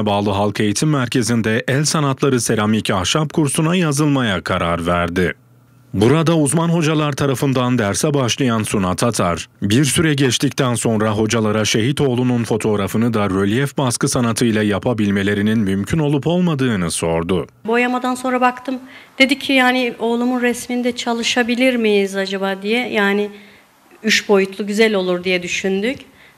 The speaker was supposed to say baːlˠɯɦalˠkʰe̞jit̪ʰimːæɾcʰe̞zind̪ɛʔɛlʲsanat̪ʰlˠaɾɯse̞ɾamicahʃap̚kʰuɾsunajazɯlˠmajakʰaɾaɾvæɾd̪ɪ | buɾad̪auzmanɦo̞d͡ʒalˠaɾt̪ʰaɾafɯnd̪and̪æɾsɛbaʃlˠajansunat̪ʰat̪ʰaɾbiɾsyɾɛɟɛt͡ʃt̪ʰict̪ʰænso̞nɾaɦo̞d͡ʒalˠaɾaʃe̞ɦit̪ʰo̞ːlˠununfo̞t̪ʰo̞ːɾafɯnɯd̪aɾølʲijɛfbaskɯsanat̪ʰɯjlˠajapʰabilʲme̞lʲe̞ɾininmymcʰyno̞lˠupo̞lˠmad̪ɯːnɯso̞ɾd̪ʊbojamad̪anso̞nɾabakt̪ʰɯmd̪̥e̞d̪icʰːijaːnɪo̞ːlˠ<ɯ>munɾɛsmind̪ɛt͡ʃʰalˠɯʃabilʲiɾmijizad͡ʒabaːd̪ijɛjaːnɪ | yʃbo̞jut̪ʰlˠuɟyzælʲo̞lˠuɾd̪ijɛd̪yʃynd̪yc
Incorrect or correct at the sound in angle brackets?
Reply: incorrect: u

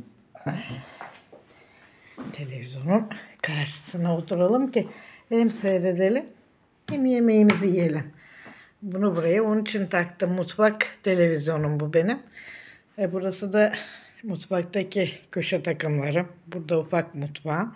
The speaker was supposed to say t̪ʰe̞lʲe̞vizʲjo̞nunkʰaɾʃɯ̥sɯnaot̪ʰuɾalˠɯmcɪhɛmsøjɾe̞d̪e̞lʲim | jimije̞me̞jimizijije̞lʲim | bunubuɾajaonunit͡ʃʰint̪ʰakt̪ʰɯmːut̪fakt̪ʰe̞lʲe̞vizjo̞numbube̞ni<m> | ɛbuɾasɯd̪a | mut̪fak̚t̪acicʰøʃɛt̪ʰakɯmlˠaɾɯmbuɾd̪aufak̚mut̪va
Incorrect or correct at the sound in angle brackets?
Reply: correct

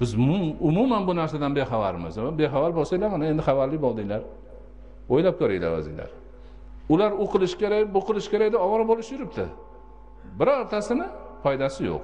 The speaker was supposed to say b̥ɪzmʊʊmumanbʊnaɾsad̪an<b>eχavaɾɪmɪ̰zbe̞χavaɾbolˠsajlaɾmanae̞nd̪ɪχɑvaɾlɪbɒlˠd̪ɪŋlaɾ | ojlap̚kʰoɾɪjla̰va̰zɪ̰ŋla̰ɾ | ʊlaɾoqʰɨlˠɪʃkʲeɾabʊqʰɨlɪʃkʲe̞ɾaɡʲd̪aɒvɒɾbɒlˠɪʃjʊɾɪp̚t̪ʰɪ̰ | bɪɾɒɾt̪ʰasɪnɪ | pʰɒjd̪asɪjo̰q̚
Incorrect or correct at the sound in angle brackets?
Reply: correct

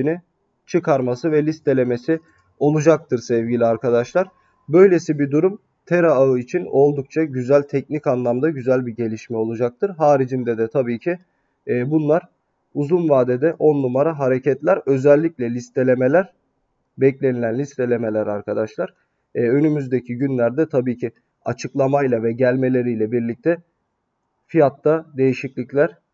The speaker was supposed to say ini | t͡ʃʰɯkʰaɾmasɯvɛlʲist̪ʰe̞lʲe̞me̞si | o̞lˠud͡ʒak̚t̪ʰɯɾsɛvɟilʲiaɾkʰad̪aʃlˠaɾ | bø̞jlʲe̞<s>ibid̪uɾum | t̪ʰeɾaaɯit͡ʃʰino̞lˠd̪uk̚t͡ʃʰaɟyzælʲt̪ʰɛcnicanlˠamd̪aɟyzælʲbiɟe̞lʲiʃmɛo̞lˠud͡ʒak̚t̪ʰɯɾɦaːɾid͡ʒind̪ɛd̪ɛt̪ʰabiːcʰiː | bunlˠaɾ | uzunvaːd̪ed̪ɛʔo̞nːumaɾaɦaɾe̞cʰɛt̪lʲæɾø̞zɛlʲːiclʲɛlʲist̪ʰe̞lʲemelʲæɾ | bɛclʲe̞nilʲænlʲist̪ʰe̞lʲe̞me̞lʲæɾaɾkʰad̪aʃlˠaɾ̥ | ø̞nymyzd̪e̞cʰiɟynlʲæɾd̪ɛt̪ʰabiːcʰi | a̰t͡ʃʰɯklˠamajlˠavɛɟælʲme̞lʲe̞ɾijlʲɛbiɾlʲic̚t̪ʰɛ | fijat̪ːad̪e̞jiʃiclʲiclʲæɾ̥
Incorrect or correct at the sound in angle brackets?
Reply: correct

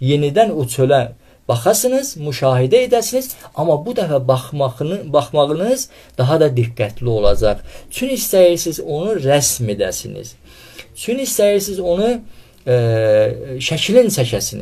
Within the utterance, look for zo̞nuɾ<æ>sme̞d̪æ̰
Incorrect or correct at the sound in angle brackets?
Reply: correct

